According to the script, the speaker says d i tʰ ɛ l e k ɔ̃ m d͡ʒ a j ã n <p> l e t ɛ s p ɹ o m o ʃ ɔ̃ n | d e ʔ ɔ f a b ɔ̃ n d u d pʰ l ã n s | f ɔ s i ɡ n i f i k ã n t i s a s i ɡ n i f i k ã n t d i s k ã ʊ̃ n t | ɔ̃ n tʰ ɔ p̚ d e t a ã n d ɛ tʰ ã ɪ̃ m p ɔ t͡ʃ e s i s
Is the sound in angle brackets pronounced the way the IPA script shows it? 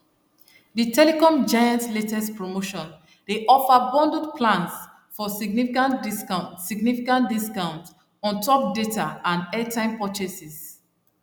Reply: no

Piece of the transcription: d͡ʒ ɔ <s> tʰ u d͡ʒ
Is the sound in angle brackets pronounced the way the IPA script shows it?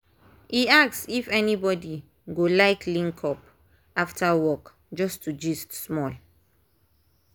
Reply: yes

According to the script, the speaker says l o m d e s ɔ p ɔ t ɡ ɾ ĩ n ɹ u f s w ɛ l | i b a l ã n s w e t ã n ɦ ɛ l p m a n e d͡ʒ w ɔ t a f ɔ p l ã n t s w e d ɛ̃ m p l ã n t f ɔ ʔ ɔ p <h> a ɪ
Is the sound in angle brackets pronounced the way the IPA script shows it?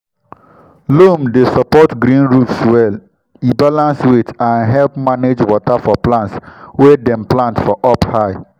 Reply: yes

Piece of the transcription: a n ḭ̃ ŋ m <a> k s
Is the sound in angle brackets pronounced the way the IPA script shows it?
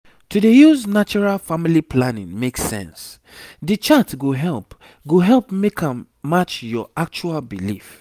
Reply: no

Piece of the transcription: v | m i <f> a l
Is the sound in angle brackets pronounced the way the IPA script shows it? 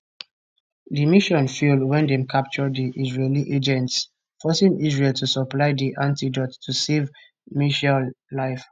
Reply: no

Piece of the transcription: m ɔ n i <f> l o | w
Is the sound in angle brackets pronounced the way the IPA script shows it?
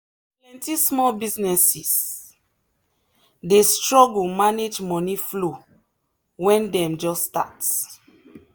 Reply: yes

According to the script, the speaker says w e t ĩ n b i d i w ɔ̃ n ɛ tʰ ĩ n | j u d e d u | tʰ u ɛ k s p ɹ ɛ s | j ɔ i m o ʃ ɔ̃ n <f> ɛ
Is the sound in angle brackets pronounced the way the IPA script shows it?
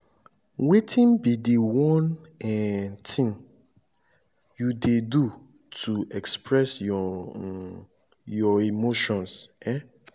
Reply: no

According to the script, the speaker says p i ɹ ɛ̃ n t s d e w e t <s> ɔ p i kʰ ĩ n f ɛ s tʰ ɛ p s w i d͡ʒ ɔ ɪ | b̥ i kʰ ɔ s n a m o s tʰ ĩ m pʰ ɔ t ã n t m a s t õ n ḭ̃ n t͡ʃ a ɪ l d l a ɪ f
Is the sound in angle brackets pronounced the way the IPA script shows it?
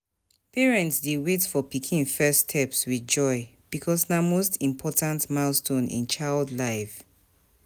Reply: no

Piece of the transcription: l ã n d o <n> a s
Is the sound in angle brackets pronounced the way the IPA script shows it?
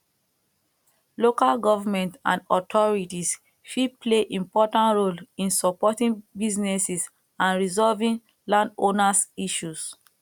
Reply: yes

